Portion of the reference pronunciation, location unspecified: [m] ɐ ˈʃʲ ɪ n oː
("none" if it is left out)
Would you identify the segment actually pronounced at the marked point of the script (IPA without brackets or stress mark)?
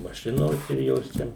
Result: m